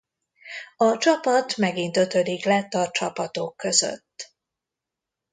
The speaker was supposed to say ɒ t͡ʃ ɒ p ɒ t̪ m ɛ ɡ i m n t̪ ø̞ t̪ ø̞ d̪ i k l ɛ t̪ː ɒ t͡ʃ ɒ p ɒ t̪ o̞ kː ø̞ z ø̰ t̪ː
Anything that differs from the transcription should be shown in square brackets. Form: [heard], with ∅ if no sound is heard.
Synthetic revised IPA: ɒ t͡ʃ ɒ p ɒ t̪ m ɛ ɡ i [∅] n t̪ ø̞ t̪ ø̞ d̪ i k l ɛ t̪ː ɒ t͡ʃ ɒ p ɒ t̪ o̞ kː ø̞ z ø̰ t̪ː